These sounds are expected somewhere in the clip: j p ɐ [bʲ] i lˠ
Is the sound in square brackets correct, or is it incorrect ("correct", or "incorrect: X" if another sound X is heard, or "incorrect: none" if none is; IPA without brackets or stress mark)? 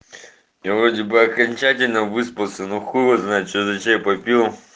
incorrect: pʲ